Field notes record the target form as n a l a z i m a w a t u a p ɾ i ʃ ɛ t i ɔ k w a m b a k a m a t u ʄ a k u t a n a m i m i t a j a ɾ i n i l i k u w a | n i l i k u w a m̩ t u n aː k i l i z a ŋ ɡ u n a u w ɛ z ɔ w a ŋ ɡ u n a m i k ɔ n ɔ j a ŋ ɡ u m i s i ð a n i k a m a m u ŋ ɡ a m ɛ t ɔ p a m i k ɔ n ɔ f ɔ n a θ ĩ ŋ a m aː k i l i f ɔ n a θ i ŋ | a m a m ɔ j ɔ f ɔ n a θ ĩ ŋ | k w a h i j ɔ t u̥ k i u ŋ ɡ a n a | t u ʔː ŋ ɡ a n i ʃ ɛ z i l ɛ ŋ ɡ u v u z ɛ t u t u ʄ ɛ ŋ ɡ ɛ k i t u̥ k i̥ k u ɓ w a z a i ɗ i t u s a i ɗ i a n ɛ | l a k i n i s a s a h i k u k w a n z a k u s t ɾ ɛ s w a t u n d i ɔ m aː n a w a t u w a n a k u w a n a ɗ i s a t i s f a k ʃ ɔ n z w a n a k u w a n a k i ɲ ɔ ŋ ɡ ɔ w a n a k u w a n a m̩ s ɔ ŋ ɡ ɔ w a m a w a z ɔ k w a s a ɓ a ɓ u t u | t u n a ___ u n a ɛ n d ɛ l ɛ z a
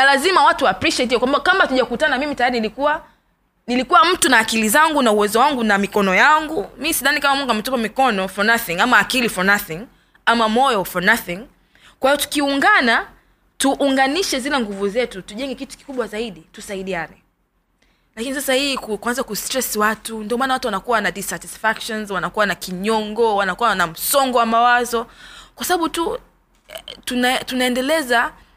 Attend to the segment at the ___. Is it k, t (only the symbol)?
t